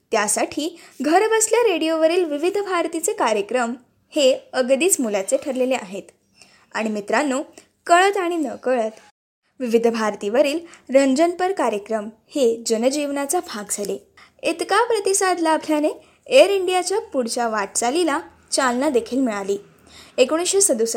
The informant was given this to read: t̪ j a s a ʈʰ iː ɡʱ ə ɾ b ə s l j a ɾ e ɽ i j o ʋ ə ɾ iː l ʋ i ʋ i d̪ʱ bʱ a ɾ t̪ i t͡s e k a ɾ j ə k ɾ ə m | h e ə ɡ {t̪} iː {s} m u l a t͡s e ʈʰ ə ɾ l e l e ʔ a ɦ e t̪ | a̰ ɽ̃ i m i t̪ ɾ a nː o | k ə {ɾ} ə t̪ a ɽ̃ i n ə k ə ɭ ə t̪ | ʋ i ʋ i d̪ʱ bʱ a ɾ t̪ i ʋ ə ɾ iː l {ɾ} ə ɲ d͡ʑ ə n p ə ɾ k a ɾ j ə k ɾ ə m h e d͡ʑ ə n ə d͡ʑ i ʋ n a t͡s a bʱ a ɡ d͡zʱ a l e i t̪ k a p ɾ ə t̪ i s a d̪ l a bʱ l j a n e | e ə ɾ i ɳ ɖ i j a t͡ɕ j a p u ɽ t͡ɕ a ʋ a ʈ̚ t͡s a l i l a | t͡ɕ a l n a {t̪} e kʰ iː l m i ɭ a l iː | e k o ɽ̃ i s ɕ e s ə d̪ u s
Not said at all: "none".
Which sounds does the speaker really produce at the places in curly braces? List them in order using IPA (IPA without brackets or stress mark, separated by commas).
d̪, t͡s, ɭ, ɾ, d̪